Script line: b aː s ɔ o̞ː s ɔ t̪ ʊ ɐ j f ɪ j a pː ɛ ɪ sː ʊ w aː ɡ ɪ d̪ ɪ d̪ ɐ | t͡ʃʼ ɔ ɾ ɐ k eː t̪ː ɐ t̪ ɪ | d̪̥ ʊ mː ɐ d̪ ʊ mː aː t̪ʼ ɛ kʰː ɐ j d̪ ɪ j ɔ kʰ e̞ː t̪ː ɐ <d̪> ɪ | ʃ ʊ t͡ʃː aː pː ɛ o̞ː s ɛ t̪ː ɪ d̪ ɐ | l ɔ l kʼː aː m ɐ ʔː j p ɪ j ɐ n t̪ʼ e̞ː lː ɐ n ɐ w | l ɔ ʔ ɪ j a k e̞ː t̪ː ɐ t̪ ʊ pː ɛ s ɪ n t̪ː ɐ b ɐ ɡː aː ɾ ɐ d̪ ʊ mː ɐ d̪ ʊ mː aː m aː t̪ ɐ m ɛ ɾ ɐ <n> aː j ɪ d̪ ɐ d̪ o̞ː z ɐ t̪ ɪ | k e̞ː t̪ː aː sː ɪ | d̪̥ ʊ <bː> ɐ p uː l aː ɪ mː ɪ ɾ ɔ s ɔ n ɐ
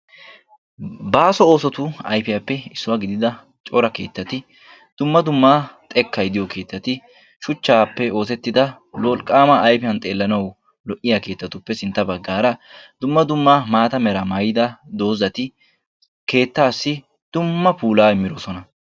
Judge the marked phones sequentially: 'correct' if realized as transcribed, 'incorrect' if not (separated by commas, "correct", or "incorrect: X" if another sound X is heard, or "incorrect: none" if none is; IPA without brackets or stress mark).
incorrect: t̪, incorrect: m, incorrect: mː